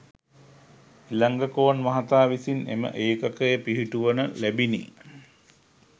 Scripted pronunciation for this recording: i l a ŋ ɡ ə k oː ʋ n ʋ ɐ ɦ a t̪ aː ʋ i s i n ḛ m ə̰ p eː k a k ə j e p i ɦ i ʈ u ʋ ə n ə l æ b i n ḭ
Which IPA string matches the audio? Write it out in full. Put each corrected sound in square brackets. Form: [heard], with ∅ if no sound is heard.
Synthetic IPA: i l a ŋ ɡ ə k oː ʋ n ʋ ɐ ɦ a t̪ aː ʋ i s i n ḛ m ə̰ [ʔ] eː k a k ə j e p i ɦ i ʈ u ʋ ə n ə l æ b i n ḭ